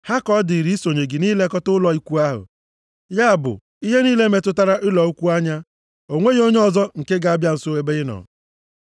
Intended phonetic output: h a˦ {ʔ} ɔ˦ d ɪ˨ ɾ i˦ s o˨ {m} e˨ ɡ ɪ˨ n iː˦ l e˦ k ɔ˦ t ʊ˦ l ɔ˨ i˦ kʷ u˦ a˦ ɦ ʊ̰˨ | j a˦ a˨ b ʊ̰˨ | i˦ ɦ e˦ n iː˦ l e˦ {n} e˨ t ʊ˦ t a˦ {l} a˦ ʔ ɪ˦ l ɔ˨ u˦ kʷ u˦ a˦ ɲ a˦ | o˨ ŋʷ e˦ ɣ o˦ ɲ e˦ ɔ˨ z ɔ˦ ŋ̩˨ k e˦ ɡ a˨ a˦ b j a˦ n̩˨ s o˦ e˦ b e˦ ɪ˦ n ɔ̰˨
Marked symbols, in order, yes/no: no, no, no, no

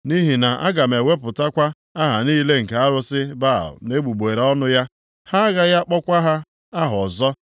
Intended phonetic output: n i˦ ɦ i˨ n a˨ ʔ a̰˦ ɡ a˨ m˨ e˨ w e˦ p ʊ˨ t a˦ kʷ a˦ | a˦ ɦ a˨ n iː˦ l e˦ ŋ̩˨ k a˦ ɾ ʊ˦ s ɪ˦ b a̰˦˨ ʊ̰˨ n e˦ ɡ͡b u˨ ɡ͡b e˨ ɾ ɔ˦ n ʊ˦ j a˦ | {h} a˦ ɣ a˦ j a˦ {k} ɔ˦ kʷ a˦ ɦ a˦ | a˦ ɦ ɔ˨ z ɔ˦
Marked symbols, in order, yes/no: yes, no

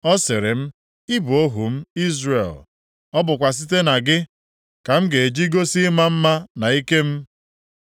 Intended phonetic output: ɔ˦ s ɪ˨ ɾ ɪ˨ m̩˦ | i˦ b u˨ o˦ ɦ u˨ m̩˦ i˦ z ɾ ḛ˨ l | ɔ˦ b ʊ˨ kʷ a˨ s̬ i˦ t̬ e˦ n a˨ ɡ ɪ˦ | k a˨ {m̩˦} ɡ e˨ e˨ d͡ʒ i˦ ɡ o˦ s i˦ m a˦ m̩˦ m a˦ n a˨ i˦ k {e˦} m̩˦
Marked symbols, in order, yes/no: yes, yes

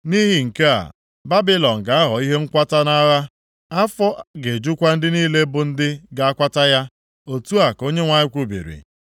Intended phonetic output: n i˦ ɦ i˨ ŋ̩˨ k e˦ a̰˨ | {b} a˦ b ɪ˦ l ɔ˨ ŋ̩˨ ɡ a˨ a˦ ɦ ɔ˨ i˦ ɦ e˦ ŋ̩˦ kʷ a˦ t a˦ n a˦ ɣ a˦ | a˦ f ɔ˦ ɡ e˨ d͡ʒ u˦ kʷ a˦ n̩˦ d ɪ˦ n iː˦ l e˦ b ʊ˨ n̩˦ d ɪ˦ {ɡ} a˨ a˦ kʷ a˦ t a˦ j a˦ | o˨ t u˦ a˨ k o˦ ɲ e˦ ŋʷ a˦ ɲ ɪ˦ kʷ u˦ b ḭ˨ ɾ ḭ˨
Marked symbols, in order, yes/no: yes, yes

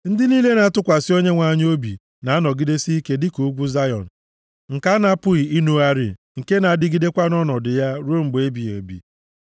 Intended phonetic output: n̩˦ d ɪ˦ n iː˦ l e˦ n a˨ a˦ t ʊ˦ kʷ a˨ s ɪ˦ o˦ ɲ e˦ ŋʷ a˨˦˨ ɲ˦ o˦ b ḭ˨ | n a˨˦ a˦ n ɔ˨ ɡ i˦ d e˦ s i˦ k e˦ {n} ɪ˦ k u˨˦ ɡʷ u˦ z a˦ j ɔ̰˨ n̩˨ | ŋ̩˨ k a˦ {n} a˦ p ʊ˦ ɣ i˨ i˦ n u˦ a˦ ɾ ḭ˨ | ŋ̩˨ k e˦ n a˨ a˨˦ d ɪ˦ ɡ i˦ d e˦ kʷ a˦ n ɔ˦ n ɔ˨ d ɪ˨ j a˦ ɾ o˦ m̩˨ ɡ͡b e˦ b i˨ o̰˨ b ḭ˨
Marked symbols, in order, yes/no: no, yes

